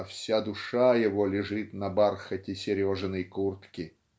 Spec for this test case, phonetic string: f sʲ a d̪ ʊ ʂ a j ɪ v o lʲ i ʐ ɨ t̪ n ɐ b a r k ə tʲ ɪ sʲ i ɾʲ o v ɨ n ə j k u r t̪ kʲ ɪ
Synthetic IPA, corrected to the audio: f sʲ a d̪ ʊ ʂ a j ɪ v o lʲ ɪ ʐ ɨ t̪ n ɐ b a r x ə tʲ ɪ sʲ ɪ ɾʲ o ʐ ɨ n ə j k u r t̪ kʲ ɪ